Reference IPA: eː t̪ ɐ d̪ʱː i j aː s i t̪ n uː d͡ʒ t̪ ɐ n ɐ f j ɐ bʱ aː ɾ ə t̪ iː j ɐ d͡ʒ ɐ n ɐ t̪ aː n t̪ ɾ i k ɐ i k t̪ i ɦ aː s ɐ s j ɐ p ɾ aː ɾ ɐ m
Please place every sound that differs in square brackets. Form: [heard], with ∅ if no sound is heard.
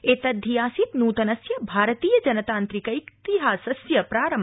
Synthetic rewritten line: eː t̪ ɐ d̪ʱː i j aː s i t̪ n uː [∅] t̪ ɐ n ɐ [s] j ɐ bʱ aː ɾ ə t̪ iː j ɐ d͡ʒ ɐ n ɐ t̪ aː n t̪ ɾ i k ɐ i k t̪ i ɦ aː s ɐ s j ɐ p ɾ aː ɾ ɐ m